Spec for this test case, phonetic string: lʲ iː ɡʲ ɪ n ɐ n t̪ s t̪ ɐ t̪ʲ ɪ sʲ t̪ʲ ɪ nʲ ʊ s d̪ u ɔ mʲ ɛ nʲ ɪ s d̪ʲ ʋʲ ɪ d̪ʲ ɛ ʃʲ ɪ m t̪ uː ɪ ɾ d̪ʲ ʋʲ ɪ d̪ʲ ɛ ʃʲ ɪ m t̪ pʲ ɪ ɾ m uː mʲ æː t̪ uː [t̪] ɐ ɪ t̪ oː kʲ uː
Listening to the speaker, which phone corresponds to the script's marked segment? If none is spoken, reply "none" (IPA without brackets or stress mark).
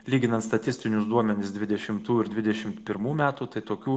t̪